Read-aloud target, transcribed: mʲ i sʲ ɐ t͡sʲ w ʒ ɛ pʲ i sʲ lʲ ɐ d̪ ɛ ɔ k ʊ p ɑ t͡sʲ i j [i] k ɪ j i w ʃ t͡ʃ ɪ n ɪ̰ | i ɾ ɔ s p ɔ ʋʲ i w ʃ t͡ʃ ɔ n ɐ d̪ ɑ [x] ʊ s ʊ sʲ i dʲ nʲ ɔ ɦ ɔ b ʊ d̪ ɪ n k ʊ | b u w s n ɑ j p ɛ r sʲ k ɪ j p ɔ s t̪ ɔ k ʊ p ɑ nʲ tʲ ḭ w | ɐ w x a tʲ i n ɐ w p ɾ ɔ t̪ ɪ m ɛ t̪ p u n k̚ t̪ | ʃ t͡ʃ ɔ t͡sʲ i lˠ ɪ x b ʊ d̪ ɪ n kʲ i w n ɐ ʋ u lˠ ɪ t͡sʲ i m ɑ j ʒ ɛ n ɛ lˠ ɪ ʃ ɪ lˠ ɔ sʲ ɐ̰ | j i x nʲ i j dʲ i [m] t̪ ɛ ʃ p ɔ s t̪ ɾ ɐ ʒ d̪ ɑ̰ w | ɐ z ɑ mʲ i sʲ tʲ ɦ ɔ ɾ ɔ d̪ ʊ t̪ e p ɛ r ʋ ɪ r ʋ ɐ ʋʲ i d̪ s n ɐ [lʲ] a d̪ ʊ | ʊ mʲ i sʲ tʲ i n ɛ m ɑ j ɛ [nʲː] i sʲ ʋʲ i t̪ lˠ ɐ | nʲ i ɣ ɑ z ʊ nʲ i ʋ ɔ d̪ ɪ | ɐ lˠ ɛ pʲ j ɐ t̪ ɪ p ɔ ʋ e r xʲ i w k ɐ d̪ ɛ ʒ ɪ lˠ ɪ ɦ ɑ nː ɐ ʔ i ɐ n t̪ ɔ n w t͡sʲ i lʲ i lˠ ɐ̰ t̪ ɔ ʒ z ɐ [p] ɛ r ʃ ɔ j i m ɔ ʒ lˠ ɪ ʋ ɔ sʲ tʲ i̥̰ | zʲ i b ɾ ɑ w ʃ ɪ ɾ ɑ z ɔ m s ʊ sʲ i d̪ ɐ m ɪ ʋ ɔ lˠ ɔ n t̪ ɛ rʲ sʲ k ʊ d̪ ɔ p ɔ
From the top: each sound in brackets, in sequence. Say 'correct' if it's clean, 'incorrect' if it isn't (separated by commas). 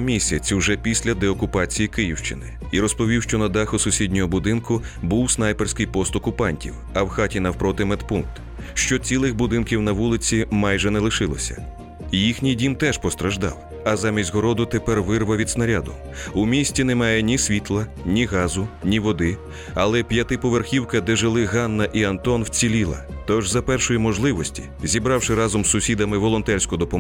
correct, correct, correct, incorrect, incorrect, correct